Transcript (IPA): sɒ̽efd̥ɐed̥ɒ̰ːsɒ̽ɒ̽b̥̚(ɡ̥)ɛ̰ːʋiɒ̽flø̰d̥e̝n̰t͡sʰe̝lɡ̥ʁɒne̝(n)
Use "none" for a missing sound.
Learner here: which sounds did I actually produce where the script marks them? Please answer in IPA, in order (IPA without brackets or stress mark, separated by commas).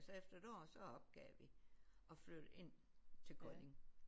ɡ̥, ŋ